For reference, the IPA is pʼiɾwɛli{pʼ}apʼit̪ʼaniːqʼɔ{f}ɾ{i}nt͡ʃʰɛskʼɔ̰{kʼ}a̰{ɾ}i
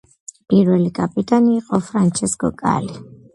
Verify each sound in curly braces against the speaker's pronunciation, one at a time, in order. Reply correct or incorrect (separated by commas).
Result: incorrect, correct, incorrect, correct, incorrect